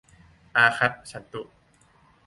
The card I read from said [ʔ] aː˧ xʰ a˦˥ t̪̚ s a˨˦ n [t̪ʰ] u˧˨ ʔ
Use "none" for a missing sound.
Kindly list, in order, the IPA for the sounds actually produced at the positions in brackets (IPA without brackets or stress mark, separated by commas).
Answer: ʔ, t̪